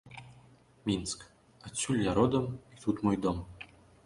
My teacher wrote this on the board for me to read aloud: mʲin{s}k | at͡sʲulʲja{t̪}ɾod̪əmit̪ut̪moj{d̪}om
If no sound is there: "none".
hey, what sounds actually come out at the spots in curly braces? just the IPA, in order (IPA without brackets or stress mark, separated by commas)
s, none, d̪